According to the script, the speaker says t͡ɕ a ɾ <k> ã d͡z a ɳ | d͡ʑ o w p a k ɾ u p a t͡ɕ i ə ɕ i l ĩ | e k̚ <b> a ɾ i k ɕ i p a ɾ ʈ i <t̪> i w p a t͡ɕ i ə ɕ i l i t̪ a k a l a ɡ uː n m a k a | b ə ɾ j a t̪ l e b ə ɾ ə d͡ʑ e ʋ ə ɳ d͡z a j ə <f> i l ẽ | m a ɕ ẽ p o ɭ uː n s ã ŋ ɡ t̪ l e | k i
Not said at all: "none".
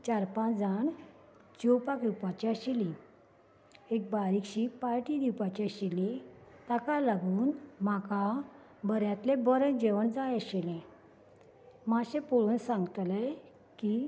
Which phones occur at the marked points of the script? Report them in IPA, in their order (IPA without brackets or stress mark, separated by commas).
p, b, d̪, ɕ